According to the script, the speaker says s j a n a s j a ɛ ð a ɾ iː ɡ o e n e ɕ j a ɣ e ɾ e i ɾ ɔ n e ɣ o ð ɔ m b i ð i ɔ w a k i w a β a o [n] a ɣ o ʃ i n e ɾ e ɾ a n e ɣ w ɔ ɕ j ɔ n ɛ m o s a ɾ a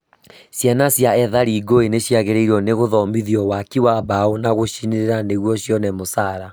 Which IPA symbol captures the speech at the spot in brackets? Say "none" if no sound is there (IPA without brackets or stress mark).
n